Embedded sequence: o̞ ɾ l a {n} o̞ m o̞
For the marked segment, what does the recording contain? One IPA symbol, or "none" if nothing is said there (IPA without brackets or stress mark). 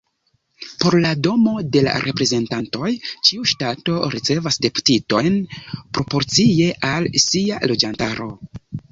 d